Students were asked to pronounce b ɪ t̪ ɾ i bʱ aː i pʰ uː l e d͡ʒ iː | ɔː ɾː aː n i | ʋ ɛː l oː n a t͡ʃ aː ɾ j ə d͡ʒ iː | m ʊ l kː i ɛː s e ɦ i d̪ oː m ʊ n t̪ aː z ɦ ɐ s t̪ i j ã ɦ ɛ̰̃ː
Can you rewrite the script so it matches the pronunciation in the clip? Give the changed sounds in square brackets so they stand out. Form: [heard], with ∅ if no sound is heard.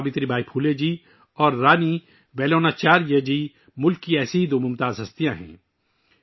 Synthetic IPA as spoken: b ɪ t̪ ɾ i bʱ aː i pʰ uː l e d͡ʒ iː | ɔː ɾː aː n i | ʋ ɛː l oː n a t͡ʃ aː ɾ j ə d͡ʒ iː | m ʊ l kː i ɛː s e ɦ i d̪ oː m ʊ [m] t̪ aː z ɦ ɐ s t̪ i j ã ɦ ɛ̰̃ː